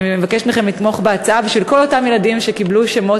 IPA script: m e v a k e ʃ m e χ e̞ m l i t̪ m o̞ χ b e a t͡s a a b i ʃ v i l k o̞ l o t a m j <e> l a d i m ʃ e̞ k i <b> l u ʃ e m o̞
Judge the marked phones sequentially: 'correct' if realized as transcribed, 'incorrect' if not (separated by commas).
correct, correct